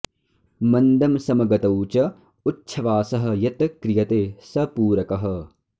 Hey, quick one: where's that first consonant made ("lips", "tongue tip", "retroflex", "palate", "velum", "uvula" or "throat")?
lips